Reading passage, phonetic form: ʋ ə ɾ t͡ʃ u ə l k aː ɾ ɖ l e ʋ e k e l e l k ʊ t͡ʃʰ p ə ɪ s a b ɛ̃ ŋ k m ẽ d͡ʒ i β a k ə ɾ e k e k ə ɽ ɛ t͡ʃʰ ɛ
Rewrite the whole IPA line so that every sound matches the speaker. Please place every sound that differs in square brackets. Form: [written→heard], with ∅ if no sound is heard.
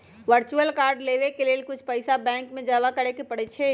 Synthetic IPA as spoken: ʋ ə ɾ t͡ʃ u ə l k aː ɾ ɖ l e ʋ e k e l e l k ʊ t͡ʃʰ p ə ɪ s a b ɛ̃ ŋ k m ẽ d͡ʒ [i→a] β a k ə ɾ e k e [k→p] ə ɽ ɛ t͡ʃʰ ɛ